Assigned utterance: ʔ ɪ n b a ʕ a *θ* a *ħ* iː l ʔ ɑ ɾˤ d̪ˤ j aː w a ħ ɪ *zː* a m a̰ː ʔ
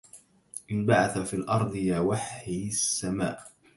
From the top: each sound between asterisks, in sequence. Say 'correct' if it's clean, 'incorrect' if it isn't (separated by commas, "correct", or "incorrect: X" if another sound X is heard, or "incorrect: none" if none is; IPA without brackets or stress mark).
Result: correct, incorrect: f, incorrect: sː